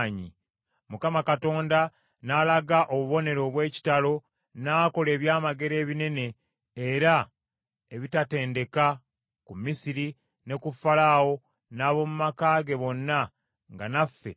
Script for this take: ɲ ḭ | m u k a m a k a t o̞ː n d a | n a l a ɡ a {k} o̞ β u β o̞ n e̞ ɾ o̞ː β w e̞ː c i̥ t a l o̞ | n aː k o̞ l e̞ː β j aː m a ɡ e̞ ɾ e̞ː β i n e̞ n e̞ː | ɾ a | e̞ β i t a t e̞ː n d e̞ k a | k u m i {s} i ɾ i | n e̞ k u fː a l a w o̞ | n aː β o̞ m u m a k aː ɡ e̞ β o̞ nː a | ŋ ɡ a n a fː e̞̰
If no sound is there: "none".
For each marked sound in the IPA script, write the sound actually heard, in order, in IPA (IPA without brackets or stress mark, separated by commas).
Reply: ʔ, s